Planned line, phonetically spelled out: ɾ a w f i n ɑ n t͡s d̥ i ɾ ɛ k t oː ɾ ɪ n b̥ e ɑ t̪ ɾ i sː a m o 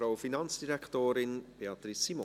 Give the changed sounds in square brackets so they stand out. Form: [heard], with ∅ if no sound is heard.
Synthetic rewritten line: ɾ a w f i n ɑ n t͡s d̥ i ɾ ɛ k t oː ɾ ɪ n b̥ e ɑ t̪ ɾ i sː [i] m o